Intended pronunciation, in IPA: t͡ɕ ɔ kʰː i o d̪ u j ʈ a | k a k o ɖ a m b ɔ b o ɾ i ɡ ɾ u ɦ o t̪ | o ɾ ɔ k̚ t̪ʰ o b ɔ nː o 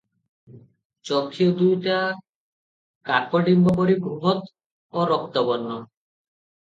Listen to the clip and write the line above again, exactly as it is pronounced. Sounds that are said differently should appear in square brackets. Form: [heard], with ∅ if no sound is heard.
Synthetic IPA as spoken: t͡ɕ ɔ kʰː i o d̪ u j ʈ a | k a k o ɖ [i] m b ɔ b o ɾ i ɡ ɾ u ɦ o t̪ | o ɾ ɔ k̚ [t̪] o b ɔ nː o